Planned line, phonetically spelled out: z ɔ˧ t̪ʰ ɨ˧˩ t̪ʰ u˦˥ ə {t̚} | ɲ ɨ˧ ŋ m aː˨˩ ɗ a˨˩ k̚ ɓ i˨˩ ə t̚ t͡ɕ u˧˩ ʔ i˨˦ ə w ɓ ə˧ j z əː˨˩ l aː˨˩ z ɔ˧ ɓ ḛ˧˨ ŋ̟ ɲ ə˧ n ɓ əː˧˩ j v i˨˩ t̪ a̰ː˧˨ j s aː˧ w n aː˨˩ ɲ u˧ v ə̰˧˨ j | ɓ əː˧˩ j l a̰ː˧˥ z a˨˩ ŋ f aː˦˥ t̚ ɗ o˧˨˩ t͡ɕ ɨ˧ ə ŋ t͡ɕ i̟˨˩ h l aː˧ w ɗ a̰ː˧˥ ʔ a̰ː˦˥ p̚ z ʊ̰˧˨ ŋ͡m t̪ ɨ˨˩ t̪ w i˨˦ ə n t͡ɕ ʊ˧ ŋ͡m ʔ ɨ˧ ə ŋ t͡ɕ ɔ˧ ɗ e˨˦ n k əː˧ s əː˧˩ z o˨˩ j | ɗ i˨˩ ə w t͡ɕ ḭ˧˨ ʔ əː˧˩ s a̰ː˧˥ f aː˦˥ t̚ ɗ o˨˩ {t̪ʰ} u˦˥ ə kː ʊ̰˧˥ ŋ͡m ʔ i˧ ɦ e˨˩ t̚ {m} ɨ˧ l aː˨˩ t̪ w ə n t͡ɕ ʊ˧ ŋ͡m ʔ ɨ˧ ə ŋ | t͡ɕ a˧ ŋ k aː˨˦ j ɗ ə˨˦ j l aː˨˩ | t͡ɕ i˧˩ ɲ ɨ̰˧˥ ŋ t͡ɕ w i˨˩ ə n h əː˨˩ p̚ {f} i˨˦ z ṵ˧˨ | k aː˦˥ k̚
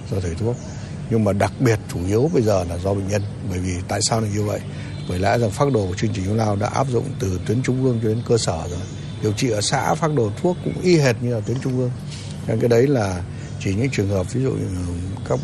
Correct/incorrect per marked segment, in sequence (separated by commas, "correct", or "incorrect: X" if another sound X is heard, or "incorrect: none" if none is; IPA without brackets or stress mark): incorrect: k̚, correct, incorrect: ɲ, incorrect: v